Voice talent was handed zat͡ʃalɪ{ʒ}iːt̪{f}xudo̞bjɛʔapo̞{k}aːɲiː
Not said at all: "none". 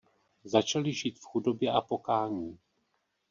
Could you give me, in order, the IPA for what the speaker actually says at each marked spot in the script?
ʒ, f, k

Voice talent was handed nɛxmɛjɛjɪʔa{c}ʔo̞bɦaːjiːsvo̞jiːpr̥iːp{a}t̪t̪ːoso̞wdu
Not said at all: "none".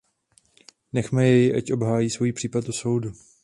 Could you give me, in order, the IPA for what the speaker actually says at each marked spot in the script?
c, a

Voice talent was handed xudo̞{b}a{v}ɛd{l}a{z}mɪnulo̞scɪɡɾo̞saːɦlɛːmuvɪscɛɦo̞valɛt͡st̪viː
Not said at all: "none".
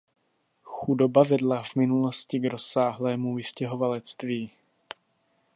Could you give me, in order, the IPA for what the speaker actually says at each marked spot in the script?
b, v, l, v

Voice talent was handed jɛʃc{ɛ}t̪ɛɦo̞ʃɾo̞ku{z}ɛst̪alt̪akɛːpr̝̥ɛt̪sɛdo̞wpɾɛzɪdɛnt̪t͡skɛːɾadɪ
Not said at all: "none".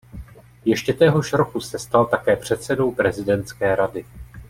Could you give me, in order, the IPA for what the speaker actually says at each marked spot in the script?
ɛ, s

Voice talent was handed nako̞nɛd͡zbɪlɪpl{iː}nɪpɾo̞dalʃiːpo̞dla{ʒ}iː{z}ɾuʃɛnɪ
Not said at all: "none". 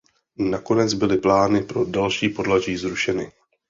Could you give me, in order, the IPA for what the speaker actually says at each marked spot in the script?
aː, ʒ, z

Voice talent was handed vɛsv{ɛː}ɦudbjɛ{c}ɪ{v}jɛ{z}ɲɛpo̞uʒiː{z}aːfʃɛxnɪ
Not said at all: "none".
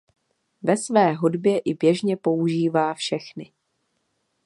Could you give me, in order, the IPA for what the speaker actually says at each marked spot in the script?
ɛː, ʔ, b, ʒ, v

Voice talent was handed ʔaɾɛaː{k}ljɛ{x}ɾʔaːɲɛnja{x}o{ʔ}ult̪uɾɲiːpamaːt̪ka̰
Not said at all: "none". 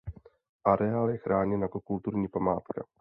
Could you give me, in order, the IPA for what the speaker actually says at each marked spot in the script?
none, x, k, k

